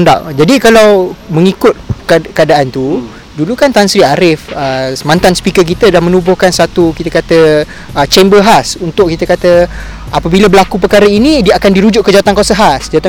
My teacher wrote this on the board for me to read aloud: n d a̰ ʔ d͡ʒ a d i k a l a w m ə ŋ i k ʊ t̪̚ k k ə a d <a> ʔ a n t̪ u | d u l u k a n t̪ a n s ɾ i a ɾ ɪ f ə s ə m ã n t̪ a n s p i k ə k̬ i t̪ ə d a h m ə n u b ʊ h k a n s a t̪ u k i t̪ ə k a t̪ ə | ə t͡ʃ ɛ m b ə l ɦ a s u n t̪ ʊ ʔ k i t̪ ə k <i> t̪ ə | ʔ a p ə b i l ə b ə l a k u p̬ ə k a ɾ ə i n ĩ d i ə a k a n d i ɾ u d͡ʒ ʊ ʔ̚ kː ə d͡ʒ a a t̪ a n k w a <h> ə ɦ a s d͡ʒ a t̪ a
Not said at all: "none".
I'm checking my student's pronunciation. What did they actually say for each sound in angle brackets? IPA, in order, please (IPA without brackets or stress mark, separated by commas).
a, a, s